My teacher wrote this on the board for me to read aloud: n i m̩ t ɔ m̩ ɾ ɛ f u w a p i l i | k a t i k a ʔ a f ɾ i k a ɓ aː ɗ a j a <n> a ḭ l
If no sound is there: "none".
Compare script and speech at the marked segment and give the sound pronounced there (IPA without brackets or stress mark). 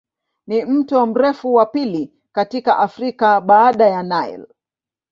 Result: n